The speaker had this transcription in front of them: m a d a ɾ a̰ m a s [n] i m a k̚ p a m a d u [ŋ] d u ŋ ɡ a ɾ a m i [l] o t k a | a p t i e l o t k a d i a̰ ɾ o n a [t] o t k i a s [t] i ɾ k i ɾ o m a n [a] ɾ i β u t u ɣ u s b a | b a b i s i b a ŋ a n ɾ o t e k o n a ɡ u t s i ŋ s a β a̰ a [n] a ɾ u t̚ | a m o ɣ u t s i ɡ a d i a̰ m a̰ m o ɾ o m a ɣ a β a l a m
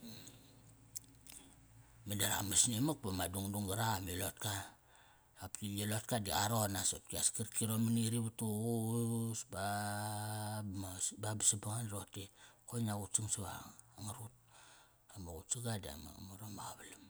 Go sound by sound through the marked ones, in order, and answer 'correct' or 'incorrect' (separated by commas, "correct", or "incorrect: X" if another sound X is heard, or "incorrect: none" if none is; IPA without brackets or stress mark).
correct, correct, correct, incorrect: s, incorrect: k, incorrect: i, incorrect: ŋ